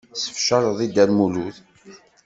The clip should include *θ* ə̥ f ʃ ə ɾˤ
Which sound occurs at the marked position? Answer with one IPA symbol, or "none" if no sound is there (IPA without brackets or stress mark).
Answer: s